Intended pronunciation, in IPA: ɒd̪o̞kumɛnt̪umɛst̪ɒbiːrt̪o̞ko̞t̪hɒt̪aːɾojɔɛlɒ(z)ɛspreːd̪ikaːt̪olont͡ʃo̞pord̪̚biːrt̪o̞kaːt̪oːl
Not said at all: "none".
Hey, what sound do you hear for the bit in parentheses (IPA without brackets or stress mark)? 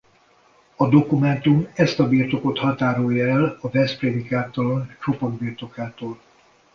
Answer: v